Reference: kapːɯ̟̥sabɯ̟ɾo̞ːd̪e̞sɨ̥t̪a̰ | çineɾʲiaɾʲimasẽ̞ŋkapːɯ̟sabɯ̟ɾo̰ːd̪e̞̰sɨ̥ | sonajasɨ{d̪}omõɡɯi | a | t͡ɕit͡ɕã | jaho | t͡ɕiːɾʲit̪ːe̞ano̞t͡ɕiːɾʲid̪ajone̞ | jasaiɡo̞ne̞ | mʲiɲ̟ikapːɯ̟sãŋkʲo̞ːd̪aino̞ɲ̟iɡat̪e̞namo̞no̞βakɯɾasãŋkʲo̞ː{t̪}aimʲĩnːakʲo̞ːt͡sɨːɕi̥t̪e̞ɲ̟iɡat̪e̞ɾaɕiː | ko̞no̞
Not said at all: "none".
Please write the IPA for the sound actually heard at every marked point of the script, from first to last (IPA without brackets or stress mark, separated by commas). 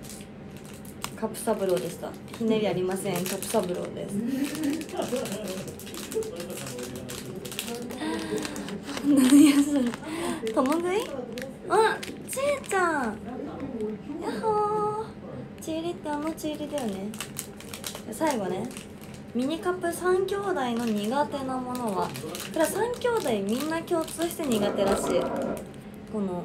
t̪, d̪